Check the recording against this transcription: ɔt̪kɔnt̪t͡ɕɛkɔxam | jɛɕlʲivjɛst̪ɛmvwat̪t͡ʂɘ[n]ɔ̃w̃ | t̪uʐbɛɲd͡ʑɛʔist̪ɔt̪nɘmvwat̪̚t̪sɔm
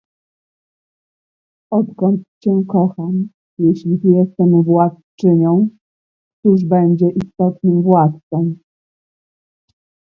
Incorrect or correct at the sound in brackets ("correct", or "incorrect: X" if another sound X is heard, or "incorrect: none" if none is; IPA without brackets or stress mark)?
incorrect: ɲ